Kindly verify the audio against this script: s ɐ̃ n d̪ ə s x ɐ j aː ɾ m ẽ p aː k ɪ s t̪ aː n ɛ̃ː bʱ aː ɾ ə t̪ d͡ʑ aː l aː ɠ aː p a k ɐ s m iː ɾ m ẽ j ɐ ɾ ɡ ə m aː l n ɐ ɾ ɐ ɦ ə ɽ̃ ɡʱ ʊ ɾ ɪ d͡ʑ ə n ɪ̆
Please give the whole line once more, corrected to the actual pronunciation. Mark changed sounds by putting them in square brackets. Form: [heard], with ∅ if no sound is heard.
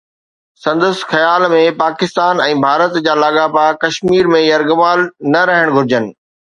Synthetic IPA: s ɐ̃ n d̪ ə s x ɐ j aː [l] m ẽ p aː k ɪ s t̪ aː n ɛ̃ː bʱ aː ɾ ə t̪ d͡ʑ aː l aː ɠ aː p a k ɐ [ʃ] m iː ɾ m ẽ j ɐ ɾ ɡ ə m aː l n ɐ ɾ ɐ ɦ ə ɽ̃ ɡʱ ʊ ɾ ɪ d͡ʑ ə n ɪ̆